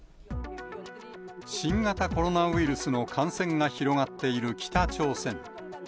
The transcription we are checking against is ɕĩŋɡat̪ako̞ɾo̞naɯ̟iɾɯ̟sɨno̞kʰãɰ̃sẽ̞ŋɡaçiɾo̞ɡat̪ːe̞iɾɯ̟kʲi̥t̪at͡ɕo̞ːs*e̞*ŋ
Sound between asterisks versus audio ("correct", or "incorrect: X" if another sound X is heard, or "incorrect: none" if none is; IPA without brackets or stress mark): incorrect: ẽ̞